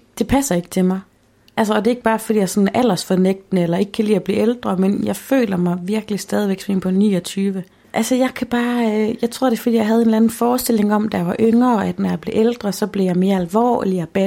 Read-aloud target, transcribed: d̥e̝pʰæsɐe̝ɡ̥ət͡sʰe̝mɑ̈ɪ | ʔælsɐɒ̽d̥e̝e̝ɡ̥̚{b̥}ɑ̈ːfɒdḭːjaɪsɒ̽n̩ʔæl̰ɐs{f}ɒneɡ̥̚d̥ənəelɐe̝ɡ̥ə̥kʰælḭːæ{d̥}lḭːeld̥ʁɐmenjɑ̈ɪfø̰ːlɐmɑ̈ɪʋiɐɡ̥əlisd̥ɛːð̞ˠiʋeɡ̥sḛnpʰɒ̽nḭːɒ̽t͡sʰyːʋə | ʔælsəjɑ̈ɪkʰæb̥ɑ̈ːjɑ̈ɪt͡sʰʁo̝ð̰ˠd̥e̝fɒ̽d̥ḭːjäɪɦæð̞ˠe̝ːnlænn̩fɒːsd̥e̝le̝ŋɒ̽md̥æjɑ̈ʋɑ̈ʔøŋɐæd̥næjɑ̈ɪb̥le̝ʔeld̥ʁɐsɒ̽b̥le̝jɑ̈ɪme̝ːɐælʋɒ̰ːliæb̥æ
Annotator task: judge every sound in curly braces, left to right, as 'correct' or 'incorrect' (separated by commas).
correct, correct, incorrect